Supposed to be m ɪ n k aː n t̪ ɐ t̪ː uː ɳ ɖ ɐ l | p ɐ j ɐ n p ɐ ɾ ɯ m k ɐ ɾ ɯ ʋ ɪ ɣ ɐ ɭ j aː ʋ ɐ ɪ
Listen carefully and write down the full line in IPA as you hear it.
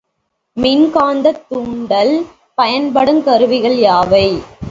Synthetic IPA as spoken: m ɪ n k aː n d̪ ɐ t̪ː uː ɳ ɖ ɐ l | p ɐ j ɐ n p ɐ ɽ ɯ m k ɐ ɾ ɯ ʋ ɪ ɣ ɐ ɭ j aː ʋ ɐ ɪ